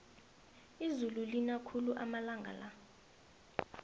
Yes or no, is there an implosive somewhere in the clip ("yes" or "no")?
no